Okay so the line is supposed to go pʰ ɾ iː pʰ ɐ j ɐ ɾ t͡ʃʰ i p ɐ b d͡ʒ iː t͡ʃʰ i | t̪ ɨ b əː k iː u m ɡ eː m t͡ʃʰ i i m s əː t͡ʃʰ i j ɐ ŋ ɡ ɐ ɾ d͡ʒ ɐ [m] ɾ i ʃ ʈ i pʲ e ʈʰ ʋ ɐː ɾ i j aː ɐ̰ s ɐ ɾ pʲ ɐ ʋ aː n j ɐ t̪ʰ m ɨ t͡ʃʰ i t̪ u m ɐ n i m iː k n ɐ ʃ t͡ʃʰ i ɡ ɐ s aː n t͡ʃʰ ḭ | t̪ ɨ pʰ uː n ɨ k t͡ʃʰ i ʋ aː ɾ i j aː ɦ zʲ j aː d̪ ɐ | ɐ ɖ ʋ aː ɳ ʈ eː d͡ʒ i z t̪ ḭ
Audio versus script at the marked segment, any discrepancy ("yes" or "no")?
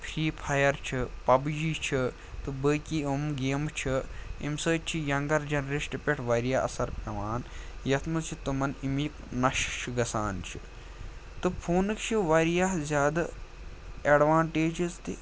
yes